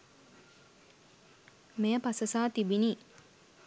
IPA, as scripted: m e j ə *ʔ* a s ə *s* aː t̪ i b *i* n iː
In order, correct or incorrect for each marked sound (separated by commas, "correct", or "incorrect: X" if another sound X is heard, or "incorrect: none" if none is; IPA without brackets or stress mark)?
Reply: incorrect: p, correct, correct